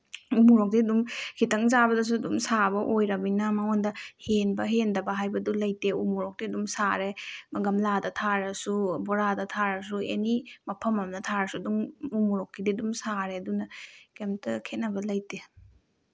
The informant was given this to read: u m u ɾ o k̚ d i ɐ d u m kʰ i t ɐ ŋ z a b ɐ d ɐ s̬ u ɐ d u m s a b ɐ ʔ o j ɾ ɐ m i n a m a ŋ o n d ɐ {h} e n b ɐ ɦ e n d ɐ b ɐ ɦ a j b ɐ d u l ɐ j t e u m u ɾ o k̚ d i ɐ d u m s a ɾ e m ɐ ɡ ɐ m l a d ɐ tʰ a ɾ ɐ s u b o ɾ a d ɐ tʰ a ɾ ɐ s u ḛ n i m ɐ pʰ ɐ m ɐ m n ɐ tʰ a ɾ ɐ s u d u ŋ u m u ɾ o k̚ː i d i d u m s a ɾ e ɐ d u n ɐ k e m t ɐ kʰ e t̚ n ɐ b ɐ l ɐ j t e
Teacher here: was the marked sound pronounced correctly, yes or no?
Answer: yes